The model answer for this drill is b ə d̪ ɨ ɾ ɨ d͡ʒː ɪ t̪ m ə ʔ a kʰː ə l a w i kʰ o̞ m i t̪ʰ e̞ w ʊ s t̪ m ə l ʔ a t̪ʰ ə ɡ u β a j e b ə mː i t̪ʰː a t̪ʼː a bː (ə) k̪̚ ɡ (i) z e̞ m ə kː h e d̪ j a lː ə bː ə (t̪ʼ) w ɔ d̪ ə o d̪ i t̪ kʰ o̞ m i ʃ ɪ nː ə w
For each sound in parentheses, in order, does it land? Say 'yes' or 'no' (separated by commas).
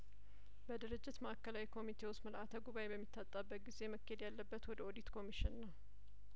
yes, yes, no